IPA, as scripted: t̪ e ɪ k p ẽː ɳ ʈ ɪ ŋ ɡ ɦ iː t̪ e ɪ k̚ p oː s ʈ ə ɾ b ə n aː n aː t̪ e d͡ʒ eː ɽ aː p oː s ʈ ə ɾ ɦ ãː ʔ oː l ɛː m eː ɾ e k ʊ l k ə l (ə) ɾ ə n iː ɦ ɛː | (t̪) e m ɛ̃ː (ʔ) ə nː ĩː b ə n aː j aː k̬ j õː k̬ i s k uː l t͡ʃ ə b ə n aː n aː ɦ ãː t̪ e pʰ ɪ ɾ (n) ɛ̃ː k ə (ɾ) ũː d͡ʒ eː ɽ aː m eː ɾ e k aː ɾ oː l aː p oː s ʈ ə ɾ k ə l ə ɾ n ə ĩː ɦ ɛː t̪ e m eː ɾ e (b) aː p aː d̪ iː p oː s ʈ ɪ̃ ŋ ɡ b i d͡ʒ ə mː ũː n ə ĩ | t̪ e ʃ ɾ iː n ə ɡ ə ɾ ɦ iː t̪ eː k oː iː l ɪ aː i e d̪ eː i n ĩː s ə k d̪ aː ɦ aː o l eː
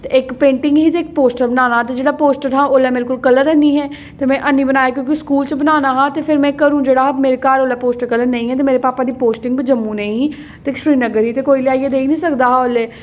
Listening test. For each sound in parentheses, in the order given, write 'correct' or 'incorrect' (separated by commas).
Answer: correct, correct, correct, incorrect, correct, incorrect